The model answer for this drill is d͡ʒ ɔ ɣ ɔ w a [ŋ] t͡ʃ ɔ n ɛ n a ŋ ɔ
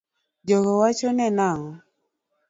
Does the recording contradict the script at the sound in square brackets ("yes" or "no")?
yes